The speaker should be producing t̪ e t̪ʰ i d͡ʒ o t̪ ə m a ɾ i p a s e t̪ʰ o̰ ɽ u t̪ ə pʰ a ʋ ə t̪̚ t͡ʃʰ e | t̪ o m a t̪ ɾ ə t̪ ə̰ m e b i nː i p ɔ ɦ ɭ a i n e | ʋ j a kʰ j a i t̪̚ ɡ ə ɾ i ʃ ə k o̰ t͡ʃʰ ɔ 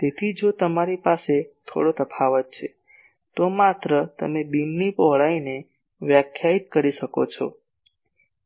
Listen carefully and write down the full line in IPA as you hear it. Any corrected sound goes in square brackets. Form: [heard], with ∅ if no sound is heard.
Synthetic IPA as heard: t̪ e t̪ʰ i d͡ʒ o t̪ ə m a ɾ i p a s e t̪ʰ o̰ ɽ [o] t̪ ə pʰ a ʋ ə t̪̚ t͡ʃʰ e | t̪ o m a t̪ ɾ ə t̪ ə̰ m e b i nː i p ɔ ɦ ɭ a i n e | ʋ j a kʰ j a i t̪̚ [k] ə ɾ i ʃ ə k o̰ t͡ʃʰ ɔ